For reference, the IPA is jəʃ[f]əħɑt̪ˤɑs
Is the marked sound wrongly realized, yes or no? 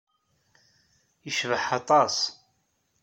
yes